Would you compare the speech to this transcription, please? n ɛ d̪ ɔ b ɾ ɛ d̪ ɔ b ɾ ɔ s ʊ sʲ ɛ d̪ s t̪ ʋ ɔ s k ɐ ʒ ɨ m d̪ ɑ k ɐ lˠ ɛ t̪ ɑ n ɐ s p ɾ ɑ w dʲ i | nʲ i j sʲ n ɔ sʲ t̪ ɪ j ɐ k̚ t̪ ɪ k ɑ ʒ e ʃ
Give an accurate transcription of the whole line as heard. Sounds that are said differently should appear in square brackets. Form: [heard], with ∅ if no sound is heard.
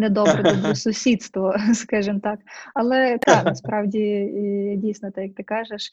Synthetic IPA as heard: n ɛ d̪ ɔ b ɾ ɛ d̪ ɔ b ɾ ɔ s ʊ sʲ [i] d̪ s t̪ ʋ ɔ s k [ɑ] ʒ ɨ m [t̪] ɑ k ɐ lˠ ɛ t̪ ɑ n ɐ s p ɾ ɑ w dʲ i | [dʲ] i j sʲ n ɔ [∅] t̪ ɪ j ɐ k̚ t̪ ɪ k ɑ ʒ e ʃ